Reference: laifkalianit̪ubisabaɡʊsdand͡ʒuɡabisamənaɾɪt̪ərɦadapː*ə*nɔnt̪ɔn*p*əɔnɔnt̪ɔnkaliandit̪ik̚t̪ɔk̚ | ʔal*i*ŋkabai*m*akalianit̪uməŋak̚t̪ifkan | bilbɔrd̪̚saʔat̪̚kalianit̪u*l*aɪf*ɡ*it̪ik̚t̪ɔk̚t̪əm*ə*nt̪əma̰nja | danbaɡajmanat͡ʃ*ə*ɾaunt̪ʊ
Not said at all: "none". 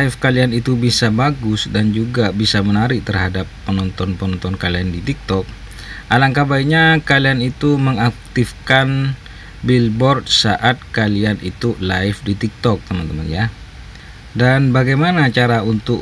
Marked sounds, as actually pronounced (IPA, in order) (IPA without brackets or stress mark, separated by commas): ə, p, a, ɲ, l, d, a, a